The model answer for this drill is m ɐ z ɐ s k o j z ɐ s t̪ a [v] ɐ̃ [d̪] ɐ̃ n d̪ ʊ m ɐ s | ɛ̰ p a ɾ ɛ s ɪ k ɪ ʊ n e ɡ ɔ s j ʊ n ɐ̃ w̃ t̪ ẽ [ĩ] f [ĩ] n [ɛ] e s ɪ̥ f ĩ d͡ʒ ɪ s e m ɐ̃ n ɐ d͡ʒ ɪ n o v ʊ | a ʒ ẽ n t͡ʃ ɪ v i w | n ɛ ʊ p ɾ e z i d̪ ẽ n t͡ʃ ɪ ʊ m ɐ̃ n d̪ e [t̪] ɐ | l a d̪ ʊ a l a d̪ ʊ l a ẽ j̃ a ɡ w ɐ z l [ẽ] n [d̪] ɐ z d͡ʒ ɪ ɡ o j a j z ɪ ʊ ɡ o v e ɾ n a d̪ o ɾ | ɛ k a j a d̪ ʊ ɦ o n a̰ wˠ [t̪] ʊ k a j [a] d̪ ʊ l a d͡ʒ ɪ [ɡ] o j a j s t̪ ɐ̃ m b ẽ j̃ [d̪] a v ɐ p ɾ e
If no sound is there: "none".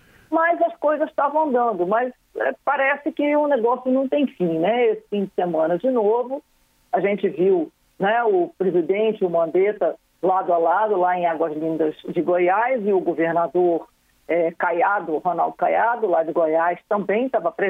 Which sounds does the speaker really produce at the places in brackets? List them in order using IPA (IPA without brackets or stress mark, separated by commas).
v, d̪, j̃, ĩ, ɛ, t̪, ĩ, d̪, d̪, a, ɡ, t̪